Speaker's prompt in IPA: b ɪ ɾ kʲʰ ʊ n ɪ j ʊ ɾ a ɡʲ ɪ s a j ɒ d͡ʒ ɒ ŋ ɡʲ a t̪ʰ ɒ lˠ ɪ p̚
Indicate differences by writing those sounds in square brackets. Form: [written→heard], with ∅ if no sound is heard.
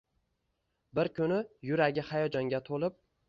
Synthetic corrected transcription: b ɪ ɾ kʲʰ ʊ n ɪ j ʊ ɾ a ɡʲ ɪ [s→h] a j ɒ d͡ʒ ɒ ŋ ɡʲ a t̪ʰ [ɒ→o] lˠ ɪ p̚